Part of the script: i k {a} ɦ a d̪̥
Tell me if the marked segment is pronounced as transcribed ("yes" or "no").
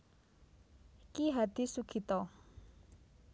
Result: no